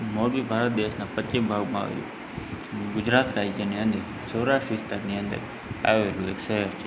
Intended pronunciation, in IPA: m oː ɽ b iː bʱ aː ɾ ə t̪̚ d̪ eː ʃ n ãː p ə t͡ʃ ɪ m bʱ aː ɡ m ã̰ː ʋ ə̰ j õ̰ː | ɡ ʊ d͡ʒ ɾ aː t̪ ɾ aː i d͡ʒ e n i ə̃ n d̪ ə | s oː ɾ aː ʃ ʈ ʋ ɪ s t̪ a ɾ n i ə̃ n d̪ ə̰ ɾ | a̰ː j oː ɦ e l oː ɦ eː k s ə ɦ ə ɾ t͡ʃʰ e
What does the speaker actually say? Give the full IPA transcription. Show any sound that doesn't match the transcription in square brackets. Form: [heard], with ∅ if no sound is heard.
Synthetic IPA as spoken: m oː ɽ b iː bʱ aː ɾ ə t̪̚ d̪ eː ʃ n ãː p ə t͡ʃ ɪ m bʱ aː ɡ m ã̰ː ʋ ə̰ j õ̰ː | ɡ ʊ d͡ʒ ɾ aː t̪ ɾ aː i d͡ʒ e n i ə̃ n d̪ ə | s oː ɾ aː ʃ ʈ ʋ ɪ s t̪ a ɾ n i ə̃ n d̪ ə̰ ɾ | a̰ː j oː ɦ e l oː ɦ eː k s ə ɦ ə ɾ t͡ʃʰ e